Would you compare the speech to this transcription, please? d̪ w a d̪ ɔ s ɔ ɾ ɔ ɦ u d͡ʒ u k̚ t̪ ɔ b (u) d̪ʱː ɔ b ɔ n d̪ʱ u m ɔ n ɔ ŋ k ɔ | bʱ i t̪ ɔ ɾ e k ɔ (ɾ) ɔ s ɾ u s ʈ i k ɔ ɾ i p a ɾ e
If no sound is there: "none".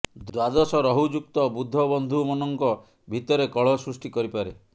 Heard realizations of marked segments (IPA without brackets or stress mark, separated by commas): u, ɭ